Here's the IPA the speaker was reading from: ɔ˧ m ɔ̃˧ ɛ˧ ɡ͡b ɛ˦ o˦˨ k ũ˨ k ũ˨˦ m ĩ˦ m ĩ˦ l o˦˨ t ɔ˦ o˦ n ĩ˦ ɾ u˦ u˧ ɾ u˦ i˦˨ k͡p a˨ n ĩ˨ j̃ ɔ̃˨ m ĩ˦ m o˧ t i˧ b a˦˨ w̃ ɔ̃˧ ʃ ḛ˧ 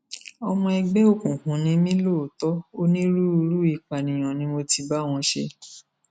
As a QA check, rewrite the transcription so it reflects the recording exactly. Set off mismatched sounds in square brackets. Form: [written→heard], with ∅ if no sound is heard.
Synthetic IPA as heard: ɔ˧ m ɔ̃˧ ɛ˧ ɡ͡b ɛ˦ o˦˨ k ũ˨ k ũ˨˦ [m→n] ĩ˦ m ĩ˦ l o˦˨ t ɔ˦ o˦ n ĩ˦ ɾ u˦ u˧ ɾ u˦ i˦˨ k͡p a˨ n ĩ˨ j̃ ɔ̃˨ [m→n] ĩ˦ m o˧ t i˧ b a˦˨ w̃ ɔ̃˧ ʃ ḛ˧